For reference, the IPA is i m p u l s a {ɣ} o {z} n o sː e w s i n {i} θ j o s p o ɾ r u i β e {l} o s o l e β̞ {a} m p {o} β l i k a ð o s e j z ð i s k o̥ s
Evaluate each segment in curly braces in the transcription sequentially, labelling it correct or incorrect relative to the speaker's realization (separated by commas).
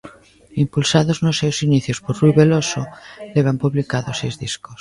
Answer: incorrect, correct, correct, correct, correct, incorrect